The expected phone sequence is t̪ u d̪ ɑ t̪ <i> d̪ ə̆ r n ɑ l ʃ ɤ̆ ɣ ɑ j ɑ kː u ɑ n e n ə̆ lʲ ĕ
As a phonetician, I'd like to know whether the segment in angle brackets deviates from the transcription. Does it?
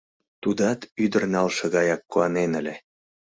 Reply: yes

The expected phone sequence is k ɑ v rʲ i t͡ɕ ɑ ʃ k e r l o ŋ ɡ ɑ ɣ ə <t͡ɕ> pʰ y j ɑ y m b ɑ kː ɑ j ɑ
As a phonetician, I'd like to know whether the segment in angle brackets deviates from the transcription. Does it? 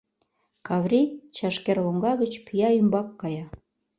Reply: no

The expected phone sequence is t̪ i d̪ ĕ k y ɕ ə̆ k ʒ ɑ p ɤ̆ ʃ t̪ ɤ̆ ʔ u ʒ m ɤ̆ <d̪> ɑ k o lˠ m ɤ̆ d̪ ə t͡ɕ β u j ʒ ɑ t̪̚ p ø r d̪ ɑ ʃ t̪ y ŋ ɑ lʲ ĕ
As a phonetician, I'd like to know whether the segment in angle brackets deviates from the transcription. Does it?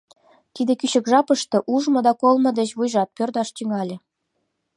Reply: no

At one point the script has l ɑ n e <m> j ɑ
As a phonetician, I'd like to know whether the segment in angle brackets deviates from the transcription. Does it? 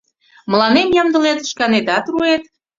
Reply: no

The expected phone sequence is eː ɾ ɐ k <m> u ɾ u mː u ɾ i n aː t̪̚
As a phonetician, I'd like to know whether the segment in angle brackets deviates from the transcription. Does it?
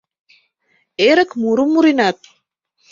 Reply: no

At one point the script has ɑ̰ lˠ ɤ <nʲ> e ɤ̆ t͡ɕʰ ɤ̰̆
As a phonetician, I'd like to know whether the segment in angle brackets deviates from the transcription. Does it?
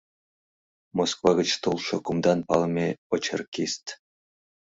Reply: yes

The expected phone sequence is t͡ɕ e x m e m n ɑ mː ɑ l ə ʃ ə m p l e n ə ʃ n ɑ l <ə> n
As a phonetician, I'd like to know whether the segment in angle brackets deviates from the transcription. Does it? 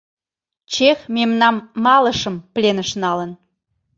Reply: no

